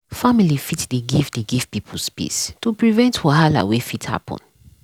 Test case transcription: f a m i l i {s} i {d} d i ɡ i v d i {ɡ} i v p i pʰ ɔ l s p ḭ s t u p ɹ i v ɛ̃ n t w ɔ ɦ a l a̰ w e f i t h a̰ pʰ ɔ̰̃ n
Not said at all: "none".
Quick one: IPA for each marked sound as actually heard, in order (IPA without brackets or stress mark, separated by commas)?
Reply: f, t, ɡ